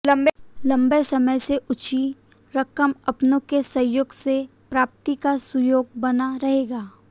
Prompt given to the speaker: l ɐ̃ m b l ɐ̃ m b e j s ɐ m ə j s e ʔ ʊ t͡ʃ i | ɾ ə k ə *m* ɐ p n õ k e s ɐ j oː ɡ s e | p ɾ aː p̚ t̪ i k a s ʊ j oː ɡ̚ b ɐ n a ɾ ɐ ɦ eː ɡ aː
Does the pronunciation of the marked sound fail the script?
no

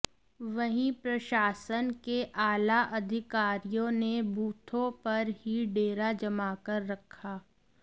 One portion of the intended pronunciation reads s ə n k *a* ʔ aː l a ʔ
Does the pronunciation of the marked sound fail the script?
yes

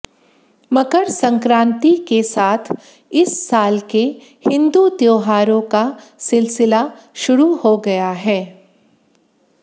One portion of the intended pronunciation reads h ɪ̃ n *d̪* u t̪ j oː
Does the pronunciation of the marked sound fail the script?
no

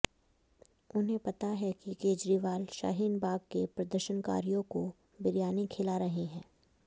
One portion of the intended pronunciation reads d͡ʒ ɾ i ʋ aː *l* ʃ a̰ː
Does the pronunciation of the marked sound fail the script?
no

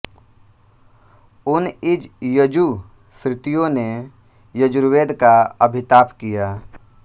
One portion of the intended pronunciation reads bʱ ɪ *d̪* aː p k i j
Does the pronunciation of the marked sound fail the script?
yes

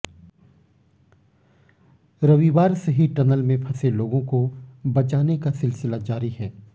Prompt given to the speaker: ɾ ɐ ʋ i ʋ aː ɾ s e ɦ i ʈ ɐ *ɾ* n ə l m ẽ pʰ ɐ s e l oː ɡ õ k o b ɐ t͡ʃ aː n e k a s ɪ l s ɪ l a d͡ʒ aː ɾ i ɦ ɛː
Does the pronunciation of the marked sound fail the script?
yes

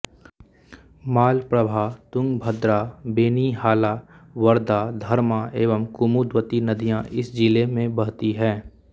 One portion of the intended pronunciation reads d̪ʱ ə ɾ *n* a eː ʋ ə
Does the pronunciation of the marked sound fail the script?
yes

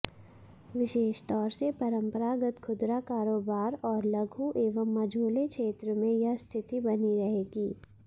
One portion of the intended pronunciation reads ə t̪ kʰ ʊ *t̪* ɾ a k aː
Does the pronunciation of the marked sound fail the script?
yes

